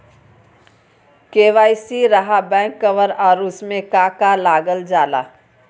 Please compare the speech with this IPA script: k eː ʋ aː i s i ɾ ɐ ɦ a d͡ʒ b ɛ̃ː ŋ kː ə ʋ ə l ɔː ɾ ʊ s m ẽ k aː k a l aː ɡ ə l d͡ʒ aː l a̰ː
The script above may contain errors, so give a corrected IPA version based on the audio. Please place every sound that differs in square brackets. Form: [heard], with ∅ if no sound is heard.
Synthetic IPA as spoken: k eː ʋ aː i s i ɾ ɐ ɦ a [∅] b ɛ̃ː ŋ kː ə ʋ ə [ɾ] ɔː ɾ ʊ s m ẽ k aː k a l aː ɡ ə l d͡ʒ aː l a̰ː